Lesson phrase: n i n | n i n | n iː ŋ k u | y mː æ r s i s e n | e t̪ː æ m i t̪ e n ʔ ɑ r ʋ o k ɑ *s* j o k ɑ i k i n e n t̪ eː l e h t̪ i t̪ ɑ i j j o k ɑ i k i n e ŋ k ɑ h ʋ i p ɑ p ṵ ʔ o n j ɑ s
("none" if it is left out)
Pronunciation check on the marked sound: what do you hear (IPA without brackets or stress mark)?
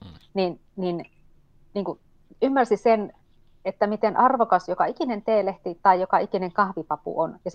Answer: s